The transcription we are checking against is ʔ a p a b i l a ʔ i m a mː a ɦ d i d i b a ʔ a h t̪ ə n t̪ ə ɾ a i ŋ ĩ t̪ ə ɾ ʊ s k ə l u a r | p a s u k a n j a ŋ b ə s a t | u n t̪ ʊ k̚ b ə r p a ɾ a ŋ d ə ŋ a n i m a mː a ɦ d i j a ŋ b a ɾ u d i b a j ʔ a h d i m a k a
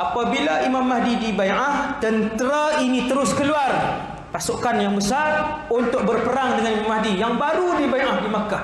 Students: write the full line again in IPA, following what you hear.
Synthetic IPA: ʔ a p a b i l a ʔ i m a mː a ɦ d i d i b a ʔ a h t̪ ə n t̪ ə ɾ a i n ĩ t̪ ə ɾ ʊ s k ə l u a r | p a s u k a n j a ŋ b ə s a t | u n t̪ ʊ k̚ b ə r p ə ɾ a ŋ d ə ŋ a n i m a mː a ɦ d i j a ŋ b a ɾ u d i b a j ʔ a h d i m a k a